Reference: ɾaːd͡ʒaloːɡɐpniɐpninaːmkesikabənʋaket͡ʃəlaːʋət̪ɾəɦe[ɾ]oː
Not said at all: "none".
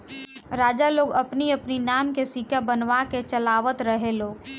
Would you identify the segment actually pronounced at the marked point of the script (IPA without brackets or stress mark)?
l